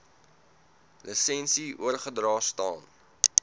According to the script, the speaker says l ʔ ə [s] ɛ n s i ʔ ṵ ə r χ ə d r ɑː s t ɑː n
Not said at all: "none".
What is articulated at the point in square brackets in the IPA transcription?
s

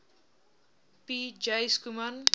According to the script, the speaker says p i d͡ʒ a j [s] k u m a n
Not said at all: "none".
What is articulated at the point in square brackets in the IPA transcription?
s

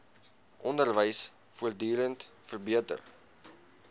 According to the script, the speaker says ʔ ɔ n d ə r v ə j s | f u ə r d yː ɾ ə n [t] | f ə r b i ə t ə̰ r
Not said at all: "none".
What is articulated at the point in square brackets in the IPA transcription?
t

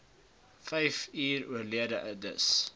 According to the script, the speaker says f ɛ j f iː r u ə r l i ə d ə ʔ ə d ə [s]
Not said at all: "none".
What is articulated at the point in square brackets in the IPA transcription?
s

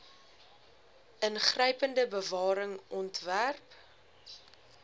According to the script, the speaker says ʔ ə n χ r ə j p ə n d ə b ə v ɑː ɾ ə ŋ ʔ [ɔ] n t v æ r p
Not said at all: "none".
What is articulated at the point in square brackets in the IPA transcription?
ɔ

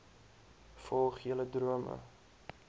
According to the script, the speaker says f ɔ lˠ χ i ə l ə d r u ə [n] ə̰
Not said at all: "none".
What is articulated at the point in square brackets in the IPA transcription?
m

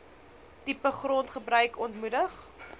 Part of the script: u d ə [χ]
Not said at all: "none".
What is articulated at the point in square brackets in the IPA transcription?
χ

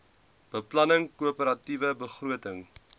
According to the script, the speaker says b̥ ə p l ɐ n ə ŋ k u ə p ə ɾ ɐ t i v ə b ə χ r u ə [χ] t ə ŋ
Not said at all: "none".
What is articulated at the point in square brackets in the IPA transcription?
none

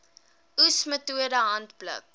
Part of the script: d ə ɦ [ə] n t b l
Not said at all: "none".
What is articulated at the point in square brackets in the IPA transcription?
ɐ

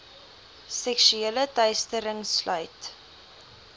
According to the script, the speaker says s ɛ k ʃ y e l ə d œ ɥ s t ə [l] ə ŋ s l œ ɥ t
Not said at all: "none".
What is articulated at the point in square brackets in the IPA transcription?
ɾ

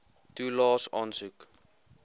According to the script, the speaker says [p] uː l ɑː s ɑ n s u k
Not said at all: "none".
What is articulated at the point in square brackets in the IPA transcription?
t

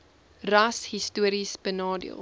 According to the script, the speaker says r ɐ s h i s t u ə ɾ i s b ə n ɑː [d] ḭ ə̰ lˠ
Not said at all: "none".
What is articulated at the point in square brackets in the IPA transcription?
d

